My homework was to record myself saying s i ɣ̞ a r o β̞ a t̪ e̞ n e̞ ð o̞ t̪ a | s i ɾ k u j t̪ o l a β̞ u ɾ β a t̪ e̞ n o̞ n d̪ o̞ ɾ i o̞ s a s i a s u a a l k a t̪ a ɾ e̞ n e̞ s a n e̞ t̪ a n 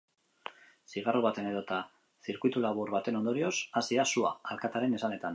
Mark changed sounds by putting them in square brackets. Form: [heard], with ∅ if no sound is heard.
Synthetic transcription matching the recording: s i ɣ̞ a r o β̞ a t̪ e̞ n e̞ ð o̞ t̪ a | s i ɾ k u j t̪ [u] l a β̞ u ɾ β a t̪ e̞ n o̞ n d̪ o̞ ɾ i o̞ s a s i a s u a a l k a t̪ a ɾ e̞ n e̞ s a n e̞ t̪ a n